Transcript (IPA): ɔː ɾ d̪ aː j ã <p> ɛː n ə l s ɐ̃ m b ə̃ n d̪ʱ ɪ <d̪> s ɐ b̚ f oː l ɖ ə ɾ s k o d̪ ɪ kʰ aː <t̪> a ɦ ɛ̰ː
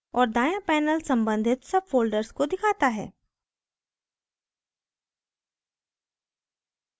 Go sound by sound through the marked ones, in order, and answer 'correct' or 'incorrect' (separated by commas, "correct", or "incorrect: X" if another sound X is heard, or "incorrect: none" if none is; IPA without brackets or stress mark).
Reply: correct, incorrect: t̪, correct